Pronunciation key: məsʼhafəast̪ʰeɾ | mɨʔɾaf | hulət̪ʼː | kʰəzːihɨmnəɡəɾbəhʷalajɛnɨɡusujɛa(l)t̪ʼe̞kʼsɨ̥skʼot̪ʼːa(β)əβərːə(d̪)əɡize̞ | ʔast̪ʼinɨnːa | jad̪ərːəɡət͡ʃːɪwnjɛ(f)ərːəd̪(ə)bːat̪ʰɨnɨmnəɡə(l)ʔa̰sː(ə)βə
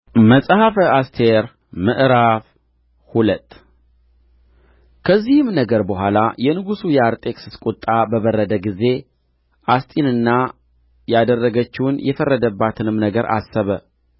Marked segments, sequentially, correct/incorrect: incorrect: ɾ, incorrect: b, correct, correct, correct, incorrect: ɾ, correct

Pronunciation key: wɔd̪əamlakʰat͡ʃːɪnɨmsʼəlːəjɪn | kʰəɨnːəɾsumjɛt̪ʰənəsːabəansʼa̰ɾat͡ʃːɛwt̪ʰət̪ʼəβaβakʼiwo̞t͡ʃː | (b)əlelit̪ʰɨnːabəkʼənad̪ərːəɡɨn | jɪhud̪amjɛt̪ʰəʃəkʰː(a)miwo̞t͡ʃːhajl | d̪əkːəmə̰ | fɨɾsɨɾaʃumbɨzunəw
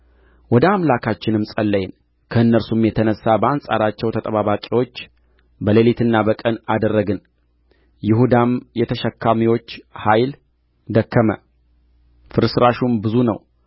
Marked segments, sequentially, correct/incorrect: correct, correct

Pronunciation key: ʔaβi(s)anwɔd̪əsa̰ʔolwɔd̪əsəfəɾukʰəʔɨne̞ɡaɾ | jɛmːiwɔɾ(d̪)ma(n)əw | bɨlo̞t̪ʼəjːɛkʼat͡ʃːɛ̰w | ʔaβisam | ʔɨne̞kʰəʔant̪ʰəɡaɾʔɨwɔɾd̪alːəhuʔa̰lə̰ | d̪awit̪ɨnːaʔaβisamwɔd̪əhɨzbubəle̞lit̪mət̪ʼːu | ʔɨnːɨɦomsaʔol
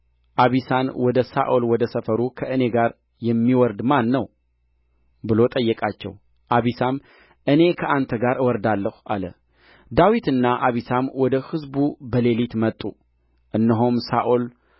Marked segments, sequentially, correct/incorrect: correct, correct, incorrect: nː

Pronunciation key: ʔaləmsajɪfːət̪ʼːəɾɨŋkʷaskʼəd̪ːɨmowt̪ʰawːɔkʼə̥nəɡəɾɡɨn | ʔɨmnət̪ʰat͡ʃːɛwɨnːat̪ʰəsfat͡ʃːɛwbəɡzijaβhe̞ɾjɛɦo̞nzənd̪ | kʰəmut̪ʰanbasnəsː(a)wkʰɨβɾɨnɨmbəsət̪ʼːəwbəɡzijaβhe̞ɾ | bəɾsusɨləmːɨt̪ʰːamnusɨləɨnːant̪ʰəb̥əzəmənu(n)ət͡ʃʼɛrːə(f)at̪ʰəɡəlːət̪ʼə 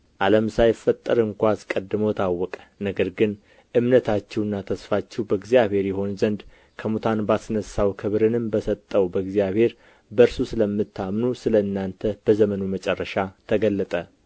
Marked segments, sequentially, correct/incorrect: correct, incorrect: m, incorrect: ʃ

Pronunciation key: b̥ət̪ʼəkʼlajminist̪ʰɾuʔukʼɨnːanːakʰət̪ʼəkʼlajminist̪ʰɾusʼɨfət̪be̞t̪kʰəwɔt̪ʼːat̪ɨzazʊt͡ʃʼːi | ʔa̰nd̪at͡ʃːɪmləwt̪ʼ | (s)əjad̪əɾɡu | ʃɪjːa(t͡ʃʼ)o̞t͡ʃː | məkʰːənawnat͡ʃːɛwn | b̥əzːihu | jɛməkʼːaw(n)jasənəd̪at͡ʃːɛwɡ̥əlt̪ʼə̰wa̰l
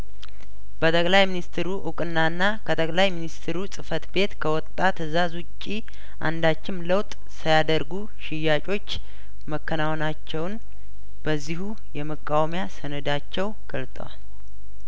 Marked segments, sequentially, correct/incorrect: correct, correct, incorrect: m

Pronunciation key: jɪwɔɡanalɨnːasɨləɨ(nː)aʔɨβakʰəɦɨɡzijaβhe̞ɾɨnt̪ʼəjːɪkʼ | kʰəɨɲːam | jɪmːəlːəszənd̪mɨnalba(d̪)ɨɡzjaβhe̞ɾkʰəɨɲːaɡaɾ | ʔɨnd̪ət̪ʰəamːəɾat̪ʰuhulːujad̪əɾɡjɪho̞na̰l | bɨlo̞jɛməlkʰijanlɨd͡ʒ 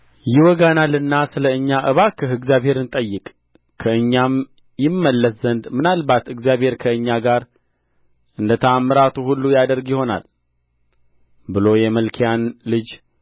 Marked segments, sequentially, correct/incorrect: incorrect: ɲː, incorrect: t̪

